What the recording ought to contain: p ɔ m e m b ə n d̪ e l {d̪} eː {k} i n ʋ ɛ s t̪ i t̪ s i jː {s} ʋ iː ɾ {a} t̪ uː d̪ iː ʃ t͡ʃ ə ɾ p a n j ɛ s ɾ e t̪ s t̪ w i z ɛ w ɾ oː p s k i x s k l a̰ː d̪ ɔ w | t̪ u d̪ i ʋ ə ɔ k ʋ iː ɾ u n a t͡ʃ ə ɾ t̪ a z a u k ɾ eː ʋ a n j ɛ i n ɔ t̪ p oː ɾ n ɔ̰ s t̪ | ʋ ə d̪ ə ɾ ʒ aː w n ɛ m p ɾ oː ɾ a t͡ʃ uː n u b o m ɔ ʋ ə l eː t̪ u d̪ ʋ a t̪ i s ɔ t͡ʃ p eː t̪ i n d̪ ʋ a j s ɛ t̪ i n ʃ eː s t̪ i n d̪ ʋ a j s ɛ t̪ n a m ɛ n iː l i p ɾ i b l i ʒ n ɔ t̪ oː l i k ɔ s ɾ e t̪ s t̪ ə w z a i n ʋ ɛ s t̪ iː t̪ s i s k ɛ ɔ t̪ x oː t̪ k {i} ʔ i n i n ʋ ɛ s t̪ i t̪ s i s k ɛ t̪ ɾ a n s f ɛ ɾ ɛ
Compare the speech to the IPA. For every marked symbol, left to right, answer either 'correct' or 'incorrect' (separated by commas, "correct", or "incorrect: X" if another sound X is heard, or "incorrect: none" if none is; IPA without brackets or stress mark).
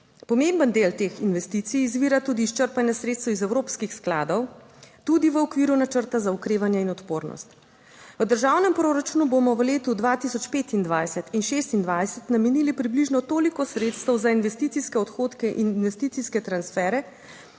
incorrect: t̪, incorrect: x, incorrect: z, correct, incorrect: ɛ